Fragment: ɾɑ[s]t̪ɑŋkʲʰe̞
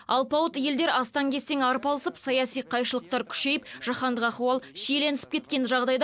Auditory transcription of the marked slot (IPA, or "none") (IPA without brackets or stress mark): s